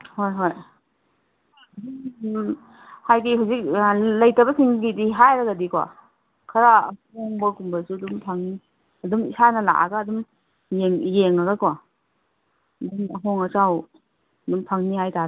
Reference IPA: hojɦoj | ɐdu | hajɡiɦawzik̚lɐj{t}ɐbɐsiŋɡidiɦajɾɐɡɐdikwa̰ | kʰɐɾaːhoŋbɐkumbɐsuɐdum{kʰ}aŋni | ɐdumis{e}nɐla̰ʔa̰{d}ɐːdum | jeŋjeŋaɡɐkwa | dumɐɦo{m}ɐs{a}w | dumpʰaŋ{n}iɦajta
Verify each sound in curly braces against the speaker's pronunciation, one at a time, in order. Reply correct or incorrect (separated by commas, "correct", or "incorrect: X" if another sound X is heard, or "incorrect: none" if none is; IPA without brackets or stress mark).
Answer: correct, incorrect: pʰ, incorrect: a, incorrect: ɡ, incorrect: ŋ, correct, correct